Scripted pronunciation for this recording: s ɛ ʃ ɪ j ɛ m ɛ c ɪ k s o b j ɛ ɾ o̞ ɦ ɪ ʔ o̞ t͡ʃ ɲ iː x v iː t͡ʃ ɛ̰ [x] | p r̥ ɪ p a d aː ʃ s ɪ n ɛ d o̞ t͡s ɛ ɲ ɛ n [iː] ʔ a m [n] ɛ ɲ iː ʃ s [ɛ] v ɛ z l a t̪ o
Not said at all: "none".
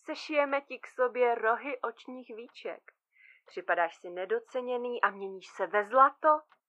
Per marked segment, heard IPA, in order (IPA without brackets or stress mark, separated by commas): k, iː, ɲ, ɛ